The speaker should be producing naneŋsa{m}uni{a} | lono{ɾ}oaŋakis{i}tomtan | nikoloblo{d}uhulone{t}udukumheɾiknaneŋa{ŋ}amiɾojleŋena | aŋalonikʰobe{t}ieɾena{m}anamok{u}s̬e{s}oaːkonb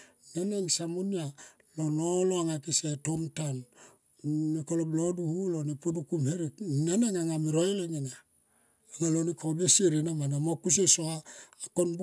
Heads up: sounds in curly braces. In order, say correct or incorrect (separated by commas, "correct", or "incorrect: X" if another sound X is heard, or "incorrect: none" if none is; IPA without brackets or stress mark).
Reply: correct, correct, incorrect: l, incorrect: e, correct, incorrect: p, correct, incorrect: s, correct, correct, correct